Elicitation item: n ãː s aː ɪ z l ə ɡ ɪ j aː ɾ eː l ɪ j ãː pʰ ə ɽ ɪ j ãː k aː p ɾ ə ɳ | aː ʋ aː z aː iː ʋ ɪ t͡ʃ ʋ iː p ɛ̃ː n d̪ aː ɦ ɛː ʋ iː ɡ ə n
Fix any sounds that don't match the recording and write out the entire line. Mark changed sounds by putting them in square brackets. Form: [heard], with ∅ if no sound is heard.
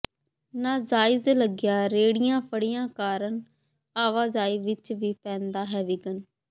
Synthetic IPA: n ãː [z] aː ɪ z l ə ɡ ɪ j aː ɾ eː [ɽ] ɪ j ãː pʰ ə ɽ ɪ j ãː k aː [∅] ɾ ə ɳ | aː ʋ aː z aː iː ʋ ɪ t͡ʃ ʋ iː p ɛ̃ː n d̪ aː ɦ ɛː ʋ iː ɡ ə n